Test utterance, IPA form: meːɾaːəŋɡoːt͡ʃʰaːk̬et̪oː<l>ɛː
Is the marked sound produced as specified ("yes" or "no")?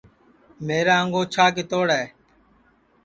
no